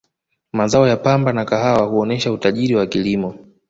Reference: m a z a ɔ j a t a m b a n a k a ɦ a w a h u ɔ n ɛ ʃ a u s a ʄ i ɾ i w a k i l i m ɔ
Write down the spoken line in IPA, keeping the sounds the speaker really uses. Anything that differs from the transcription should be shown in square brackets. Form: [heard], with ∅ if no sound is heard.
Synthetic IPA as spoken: m a z a ɔ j a [p] a m b a n a k a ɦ a w a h u ɔ n ɛ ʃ a u [t] a ʄ i ɾ i w a k i l i m ɔ